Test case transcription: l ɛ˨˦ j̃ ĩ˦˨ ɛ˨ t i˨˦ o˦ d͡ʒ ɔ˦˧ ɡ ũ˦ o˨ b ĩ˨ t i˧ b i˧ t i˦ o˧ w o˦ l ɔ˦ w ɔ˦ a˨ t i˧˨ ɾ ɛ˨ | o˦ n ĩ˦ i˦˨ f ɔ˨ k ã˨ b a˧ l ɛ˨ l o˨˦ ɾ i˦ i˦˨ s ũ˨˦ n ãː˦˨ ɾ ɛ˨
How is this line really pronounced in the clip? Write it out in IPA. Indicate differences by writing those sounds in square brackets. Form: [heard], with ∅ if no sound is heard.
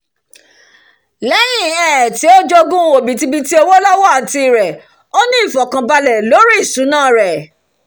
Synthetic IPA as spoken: l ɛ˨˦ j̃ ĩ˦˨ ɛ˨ t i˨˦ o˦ d͡ʒ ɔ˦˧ ɡ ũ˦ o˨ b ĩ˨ t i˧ b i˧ t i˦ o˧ w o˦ l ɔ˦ w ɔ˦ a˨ t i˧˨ ɾ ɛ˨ | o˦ n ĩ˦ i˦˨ f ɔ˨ k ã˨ b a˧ l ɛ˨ l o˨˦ ɾ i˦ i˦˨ s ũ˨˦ n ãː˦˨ ɾ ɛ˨